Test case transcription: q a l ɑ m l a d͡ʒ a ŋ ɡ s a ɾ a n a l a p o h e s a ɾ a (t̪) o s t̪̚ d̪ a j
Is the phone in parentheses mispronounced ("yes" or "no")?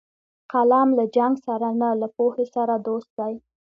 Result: yes